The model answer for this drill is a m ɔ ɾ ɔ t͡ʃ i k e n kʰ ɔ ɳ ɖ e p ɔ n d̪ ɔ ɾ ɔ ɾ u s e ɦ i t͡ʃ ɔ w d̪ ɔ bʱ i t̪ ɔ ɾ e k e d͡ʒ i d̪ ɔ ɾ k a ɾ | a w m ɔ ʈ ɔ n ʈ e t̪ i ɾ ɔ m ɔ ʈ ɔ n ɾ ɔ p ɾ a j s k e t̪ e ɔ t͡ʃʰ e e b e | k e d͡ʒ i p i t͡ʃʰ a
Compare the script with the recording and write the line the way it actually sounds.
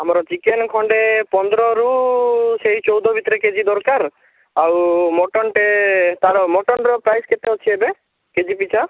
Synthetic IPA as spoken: a m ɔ ɾ ɔ t͡ʃ i k e n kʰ ɔ ɳ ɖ e p ɔ n d̪ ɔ ɾ ɔ ɾ u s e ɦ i t͡ʃ ɔ w d̪ ɔ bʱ i t̪ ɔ ɾ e k e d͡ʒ i d̪ ɔ ɾ k a ɾ | a w m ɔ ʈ ɔ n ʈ e t̪ a ɾ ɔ m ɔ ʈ ɔ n ɾ ɔ p ɾ a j s k e t̪ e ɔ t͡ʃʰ i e b e | k e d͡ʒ i p i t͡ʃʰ a